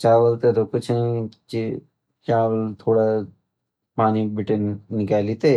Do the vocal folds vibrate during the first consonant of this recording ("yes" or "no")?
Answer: no